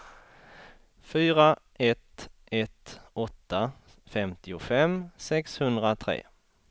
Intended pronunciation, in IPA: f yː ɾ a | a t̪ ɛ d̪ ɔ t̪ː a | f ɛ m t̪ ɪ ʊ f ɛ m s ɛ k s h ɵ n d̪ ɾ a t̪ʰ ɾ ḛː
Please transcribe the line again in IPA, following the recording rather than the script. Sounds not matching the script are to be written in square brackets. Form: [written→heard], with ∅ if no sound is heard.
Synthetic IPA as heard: f yː ɾ a | [a→ɛ] t̪ ɛ [d̪→t̪] ɔ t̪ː a | f ɛ m t̪ ɪ ʊ f ɛ m s ɛ k s h ɵ n d̪ ɾ a t̪ʰ ɾ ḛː